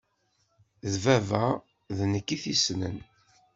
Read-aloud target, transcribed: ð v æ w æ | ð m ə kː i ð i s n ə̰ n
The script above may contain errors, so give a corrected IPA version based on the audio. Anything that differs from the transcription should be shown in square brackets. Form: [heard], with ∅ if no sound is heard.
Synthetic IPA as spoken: ð v æ [v] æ | ð [n] ə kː i [θ] i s n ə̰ n